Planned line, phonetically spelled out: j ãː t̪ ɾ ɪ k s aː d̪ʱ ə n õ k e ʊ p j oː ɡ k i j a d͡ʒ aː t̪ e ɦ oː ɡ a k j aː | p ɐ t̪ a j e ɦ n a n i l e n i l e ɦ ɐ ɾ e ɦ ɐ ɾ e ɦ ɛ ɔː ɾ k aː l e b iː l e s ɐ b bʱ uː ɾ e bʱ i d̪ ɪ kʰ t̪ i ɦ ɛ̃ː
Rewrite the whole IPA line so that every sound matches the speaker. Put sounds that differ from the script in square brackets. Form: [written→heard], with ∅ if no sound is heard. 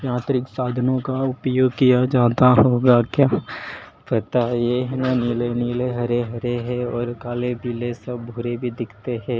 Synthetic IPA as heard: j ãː t̪ ɾ ɪ k s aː d̪ʱ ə n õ k [e→a] ʊ p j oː ɡ k i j a d͡ʒ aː t̪ [e→a] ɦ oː ɡ a k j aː | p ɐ t̪ a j e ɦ n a n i l e n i l e ɦ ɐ ɾ e ɦ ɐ ɾ e ɦ ɛ ɔː ɾ k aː l e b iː l e s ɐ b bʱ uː ɾ e bʱ i d̪ ɪ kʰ t̪ [i→e] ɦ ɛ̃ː